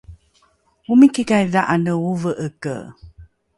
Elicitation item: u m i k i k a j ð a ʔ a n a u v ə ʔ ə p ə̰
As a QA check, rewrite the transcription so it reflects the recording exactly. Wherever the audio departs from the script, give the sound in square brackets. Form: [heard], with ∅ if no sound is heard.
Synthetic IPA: u m i k i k a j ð a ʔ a n [ə] u v ə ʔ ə [k] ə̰